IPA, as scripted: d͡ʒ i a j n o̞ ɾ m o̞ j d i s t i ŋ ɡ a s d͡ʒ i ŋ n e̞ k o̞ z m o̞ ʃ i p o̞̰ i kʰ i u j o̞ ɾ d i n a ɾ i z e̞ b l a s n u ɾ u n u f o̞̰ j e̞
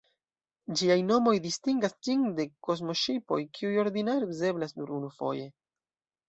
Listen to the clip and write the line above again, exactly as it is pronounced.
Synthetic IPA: d͡ʒ i a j n o̞ m o̞ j d i s t i ŋ ɡ a s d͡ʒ i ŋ d e̞ k o̞ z m o̞ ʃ i p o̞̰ j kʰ i u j o̞ ɾ d i n a ɾ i z e̞ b l a s n u ɾ u n u f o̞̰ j e̞